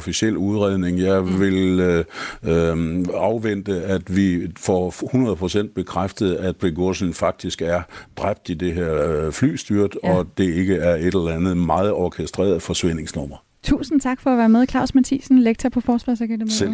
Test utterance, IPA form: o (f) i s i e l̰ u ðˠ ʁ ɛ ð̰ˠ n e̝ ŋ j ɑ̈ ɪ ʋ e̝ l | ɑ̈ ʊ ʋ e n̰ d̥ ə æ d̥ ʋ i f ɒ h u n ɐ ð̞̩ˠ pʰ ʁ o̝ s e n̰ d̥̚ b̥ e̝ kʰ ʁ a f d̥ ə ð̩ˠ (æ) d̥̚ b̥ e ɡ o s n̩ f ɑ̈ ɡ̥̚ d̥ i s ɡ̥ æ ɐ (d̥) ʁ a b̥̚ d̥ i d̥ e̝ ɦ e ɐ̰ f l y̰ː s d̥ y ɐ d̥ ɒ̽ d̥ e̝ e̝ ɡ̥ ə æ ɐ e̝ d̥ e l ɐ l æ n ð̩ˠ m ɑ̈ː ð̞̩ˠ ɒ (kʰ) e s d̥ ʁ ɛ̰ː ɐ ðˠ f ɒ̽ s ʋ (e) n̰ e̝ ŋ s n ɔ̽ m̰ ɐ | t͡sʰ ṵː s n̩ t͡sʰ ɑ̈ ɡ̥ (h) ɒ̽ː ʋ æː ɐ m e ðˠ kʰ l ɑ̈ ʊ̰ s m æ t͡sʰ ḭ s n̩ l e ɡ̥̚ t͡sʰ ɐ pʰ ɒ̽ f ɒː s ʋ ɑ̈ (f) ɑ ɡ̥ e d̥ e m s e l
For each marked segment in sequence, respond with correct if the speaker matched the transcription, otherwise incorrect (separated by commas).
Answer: correct, correct, correct, correct, correct, incorrect, incorrect